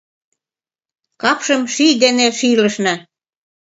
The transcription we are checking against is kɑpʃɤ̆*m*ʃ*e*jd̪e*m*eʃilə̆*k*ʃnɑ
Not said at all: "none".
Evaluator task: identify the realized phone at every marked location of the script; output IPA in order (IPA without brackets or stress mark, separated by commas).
m, i, n, none